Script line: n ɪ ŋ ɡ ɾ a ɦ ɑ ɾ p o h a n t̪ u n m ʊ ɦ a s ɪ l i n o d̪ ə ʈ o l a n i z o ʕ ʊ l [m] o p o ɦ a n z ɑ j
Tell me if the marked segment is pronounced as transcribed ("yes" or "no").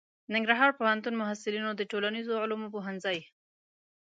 yes